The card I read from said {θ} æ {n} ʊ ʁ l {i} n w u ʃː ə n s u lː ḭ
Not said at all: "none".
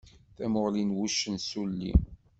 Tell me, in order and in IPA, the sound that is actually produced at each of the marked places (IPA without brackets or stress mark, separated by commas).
θ, m, i